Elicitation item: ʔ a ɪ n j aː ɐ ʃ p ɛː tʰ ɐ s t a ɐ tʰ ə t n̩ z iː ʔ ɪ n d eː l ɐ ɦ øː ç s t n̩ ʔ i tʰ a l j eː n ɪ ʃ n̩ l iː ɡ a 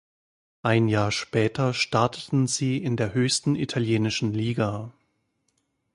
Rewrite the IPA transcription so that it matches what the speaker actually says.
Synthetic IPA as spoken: ʔ a ɪ n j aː ɐ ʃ p ɛː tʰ ɐ ʃ t a ɐ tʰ ə t n̩ z iː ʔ ɪ n d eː ɐ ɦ øː ç s t n̩ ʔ i tʰ a l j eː n ɪ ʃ n̩ l iː ɡ a